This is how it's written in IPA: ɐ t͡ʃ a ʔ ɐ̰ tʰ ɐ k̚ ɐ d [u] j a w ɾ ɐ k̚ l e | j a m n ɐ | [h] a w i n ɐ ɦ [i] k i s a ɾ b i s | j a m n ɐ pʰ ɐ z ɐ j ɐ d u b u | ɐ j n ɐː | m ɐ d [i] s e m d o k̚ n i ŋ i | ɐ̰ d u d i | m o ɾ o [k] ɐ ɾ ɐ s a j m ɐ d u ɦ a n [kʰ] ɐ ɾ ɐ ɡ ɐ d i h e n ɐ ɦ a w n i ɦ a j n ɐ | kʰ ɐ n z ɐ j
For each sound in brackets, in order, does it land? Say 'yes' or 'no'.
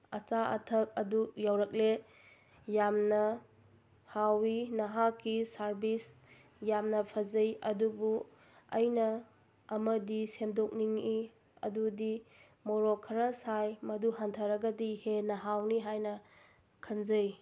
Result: yes, yes, no, yes, no, no

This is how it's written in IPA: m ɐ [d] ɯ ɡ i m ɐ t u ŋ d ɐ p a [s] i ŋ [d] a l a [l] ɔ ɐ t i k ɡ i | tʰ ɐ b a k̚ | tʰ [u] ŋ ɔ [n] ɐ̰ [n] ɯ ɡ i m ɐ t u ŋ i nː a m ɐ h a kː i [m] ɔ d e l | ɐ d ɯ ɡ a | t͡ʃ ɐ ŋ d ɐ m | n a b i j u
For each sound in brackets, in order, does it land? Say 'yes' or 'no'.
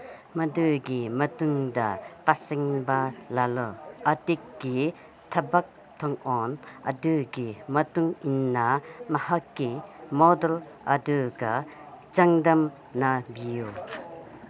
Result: yes, yes, no, yes, no, yes, no, yes

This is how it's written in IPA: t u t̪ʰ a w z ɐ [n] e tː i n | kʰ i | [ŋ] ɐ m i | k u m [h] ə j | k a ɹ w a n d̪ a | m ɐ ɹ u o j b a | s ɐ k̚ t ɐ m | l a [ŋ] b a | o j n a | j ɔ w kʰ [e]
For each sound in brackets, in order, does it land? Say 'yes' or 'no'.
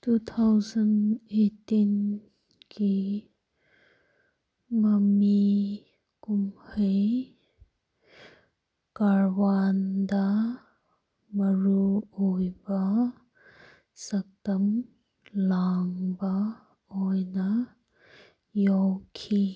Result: yes, no, yes, yes, no

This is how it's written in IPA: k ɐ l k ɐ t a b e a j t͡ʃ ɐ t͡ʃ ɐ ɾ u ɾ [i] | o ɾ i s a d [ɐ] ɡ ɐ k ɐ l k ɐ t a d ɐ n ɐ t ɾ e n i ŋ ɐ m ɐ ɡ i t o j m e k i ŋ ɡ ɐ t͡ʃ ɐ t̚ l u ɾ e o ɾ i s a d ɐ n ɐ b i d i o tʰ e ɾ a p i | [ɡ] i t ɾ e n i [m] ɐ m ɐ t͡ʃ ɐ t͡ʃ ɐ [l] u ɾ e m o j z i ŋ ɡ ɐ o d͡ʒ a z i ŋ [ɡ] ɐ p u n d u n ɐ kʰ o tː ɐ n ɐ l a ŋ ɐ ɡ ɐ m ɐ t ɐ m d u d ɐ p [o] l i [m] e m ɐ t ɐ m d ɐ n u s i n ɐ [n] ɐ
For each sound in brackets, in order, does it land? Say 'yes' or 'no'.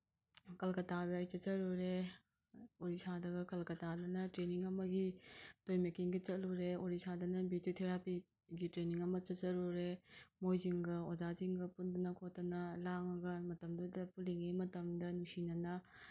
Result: no, yes, yes, no, no, yes, no, no, yes

